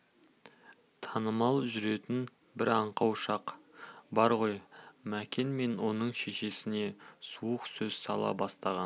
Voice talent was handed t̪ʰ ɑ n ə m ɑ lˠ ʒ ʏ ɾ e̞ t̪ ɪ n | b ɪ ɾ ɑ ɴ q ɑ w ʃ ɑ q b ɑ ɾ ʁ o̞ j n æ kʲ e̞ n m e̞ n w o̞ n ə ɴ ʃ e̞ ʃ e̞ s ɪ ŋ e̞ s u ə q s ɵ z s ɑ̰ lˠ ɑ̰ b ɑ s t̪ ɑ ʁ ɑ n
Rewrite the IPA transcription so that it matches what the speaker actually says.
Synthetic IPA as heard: t̪ʰ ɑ n ə m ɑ lˠ ʒ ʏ ɾ e̞ t̪ ɪ n | b ɪ ɾ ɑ ɴ q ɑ w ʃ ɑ q b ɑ ɾ ʁ o̞ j m æ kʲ e̞ n m e̞ n w o̞ n ə ɴ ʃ e̞ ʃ e̞ s ɪ n e̞ s u ə q s ɵ z s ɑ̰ lˠ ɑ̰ b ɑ s t̪ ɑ ʁ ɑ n